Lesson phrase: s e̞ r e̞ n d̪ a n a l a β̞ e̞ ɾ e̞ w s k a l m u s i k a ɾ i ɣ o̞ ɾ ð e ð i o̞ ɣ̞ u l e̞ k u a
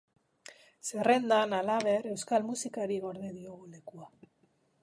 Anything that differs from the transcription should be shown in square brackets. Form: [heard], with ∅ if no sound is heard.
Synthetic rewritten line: s e̞ r e̞ n d̪ a n a l a β̞ e̞ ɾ e̞ w s k a l m u s i k a ɾ i ɣ o̞ ɾ ð e ð i o̞ ɣ̞ u l e̞ k u a